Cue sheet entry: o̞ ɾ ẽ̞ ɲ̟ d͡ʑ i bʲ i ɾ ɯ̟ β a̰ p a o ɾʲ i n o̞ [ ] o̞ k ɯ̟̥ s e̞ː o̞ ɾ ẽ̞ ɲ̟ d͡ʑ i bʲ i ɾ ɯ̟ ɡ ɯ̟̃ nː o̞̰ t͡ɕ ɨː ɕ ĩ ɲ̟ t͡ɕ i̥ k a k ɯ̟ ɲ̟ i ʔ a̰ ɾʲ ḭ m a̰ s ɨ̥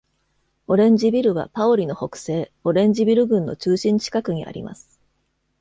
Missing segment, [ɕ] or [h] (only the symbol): h